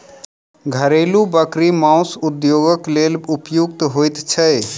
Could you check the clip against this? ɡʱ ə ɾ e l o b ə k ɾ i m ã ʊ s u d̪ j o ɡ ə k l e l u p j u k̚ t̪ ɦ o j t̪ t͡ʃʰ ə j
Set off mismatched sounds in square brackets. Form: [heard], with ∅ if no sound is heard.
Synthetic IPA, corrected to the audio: ɡʱ ə ɾ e l [u] b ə k ɾ i m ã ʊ s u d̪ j o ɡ ə k l e l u p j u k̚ t̪ ɦ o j t̪ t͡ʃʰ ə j